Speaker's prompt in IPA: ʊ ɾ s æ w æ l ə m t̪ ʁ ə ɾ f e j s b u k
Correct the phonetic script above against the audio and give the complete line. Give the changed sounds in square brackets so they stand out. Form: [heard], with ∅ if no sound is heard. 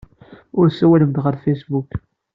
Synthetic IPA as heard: ʊ ɾ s æ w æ l ə m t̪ ʁ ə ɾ f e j s b u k